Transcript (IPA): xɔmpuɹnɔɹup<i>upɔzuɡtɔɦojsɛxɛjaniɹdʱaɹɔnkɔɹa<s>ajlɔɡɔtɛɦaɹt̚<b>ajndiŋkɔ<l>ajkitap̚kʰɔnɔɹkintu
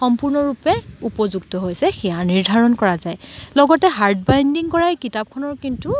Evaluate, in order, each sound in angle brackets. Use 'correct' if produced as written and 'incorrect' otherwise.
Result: incorrect: ɛ, incorrect: z, correct, incorrect: ɹ

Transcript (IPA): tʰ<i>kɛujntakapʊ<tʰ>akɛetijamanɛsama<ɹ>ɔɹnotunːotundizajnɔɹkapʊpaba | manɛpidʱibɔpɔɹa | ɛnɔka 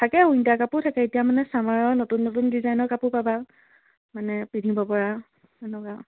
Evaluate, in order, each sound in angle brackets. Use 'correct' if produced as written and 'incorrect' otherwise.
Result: incorrect: a, correct, correct

